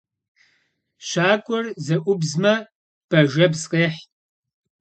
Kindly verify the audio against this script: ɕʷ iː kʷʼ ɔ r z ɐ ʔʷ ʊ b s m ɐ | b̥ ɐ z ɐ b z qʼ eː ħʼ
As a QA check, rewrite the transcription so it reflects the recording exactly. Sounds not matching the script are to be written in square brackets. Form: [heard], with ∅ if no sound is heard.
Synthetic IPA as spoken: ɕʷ [aː] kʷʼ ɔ r z ɐ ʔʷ ʊ b [z] m ɐ | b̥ ɐ [ʒ] ɐ b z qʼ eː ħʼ